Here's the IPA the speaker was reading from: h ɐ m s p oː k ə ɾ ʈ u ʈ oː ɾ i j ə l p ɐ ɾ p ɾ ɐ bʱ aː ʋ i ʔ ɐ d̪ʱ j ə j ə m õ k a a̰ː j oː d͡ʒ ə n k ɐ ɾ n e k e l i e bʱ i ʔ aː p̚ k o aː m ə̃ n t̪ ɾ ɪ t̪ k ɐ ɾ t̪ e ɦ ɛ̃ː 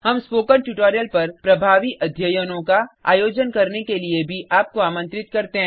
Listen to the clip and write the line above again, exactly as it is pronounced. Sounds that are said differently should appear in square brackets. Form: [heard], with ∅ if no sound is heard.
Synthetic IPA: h ɐ m s p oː k ə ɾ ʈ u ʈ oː ɾ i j ə l p ɐ ɾ p ɾ ɐ bʱ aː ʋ i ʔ ɐ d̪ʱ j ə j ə [n] õ k a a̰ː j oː d͡ʒ ə n k ɐ ɾ n e k e l i e bʱ i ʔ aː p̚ k o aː m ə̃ n t̪ ɾ ɪ t̪ k ɐ ɾ t̪ e ɦ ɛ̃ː